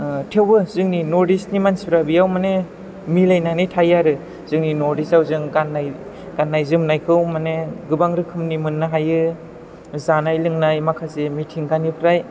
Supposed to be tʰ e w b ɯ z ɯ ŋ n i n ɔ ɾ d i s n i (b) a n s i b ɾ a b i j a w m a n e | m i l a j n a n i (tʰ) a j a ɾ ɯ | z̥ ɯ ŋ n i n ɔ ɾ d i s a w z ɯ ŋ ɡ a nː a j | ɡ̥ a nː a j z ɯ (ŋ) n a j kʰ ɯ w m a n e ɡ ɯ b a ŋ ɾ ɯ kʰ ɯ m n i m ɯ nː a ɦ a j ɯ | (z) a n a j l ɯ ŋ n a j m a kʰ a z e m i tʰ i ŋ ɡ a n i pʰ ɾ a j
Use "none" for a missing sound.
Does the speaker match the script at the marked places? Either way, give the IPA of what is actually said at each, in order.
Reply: m, tʰ, m, z

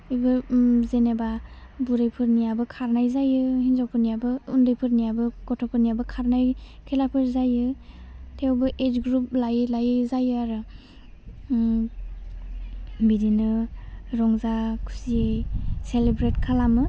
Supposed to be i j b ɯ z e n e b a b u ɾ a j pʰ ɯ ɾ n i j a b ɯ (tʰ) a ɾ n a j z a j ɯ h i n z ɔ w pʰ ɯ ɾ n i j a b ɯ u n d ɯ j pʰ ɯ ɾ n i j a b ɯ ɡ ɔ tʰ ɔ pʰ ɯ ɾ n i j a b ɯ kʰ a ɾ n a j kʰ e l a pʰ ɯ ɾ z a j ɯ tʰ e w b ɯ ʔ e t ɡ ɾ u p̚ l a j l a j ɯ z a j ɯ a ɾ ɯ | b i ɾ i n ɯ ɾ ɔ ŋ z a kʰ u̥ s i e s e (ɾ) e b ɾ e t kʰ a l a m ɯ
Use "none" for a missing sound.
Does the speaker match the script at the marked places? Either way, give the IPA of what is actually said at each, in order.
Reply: kʰ, l

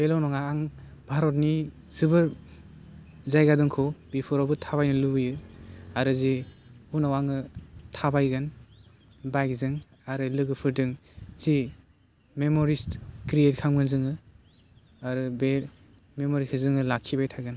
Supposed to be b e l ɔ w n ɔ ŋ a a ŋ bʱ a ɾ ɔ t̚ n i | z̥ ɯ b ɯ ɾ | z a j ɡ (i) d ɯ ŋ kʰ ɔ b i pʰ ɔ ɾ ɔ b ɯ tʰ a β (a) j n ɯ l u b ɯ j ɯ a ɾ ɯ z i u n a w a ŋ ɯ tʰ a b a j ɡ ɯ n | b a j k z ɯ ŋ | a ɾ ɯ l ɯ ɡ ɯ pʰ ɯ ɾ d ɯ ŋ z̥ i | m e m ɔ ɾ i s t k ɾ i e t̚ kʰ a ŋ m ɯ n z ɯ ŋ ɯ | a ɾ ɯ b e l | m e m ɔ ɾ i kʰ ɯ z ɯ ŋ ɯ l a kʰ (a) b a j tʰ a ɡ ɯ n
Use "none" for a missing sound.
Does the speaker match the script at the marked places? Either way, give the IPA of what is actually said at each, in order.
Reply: a, a, i

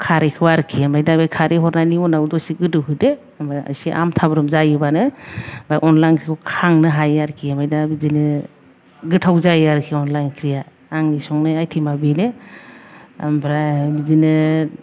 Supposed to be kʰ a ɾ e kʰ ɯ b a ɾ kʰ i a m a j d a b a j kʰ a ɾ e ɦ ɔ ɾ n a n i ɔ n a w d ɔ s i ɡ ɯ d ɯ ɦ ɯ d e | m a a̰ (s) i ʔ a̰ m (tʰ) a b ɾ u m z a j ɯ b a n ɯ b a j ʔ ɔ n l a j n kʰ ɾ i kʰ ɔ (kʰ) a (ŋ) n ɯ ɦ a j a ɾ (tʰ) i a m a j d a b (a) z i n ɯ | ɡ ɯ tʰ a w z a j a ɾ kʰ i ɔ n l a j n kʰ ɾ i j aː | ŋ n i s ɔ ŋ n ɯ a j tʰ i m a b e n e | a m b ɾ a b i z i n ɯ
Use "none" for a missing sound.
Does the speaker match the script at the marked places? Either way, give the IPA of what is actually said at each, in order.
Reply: s, tʰ, kʰ, ŋ, kʰ, i

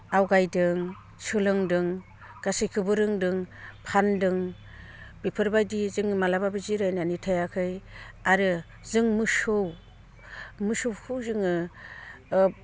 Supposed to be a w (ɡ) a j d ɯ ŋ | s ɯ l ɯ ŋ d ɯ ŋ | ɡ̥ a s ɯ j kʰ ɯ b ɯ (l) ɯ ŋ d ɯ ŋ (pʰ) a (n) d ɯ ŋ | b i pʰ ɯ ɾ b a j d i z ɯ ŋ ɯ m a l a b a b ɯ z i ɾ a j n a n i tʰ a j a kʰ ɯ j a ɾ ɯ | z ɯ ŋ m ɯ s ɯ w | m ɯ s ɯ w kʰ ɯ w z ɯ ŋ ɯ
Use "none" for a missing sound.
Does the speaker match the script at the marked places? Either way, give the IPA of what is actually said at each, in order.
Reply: ɡ, ɾ, pʰ, n

